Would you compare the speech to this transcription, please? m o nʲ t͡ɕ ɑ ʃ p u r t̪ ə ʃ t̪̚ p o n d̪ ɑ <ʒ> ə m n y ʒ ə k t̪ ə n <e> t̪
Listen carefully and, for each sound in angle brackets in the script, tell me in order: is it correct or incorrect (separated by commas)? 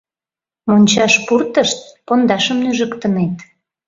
incorrect, correct